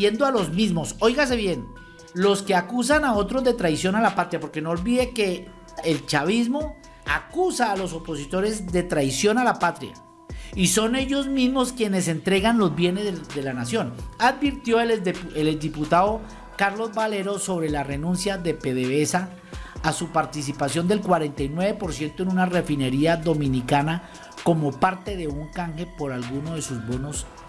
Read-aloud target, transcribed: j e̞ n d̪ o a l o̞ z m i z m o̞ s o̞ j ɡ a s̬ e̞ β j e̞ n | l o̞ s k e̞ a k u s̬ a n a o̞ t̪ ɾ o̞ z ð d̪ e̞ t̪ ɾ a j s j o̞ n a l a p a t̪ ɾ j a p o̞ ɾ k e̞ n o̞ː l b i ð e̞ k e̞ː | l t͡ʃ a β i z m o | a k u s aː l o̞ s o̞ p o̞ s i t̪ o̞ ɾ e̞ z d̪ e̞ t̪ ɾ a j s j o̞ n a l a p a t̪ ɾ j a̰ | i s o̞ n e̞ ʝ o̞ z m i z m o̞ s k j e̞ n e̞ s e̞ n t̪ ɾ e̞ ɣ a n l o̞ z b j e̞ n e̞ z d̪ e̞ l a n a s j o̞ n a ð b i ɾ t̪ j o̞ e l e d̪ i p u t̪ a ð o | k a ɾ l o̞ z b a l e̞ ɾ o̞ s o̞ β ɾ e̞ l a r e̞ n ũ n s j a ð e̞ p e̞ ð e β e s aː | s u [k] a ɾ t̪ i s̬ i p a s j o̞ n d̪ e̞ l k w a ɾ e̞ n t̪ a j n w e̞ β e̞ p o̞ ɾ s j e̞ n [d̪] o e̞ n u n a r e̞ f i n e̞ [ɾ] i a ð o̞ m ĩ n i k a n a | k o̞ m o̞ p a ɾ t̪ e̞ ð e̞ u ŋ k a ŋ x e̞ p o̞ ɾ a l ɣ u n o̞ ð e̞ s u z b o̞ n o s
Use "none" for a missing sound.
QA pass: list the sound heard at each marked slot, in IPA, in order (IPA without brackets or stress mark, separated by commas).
p, t̪, ɾ